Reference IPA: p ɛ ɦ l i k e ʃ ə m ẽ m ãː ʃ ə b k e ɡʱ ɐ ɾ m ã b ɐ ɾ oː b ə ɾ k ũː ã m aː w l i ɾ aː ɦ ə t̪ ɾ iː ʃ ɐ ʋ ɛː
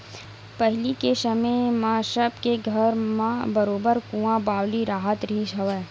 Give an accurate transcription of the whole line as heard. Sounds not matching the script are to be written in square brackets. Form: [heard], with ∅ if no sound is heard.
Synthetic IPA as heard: p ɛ ɦ l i k e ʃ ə m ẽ m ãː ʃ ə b k e ɡʱ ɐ ɾ m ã b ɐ ɾ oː b ə ɾ k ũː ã [b] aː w l i ɾ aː ɦ ə t̪ ɾ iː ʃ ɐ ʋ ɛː